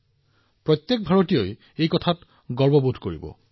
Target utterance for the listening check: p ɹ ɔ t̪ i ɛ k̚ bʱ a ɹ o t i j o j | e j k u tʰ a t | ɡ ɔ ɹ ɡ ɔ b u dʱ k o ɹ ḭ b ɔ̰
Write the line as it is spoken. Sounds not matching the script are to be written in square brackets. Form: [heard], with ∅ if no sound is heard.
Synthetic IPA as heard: p ɹ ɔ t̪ [j] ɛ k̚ bʱ a ɹ o t i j o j | e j k [ɔ] tʰ a t | ɡ ɔ ɹ [b] ɔ b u dʱ k o ɹ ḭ b ɔ̰